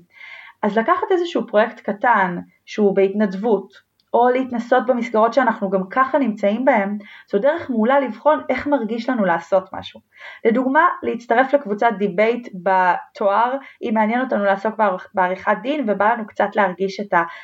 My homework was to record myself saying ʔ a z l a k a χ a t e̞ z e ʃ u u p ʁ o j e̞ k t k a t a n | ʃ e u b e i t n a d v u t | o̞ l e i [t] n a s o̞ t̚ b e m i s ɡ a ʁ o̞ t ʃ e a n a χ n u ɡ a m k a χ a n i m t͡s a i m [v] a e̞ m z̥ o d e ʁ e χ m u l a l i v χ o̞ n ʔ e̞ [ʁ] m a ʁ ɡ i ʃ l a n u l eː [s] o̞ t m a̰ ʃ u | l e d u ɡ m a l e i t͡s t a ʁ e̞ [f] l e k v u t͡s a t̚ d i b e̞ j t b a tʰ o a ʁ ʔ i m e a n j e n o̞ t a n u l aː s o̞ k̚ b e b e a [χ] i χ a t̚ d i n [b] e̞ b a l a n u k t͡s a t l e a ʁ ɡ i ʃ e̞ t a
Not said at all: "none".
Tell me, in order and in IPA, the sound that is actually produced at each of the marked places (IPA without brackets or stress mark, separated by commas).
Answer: t, b, χ, s, f, ʁ, v